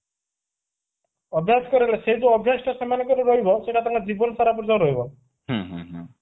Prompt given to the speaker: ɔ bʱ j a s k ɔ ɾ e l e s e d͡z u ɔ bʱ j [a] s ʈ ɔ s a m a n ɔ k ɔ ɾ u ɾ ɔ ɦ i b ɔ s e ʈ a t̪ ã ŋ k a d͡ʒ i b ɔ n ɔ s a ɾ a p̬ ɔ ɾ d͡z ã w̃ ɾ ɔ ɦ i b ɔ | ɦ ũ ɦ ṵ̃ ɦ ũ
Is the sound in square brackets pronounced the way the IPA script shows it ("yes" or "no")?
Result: yes